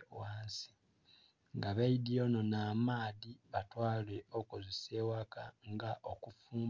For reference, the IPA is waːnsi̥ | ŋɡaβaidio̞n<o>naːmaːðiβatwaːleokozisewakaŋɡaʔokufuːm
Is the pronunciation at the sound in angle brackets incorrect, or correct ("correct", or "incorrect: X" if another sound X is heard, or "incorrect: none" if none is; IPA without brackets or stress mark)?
correct